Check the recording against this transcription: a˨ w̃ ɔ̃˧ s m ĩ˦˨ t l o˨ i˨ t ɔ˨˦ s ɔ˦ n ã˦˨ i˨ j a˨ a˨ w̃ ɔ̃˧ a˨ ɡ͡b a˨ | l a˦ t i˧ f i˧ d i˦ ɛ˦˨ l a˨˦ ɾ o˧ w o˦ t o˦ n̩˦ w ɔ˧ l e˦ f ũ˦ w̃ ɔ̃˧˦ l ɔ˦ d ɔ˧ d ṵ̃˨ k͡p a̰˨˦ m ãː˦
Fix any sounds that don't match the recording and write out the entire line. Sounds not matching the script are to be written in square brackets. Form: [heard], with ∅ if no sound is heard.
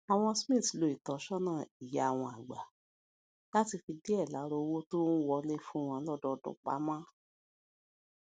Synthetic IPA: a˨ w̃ ɔ̃˧ s m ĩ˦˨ t l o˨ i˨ t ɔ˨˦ [ʃ] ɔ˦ n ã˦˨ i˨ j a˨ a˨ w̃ ɔ̃˧ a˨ ɡ͡b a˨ | l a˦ t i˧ f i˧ d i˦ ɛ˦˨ l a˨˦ ɾ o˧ w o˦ t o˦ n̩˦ w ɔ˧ l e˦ f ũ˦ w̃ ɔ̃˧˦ l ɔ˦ d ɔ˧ d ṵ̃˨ k͡p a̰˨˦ m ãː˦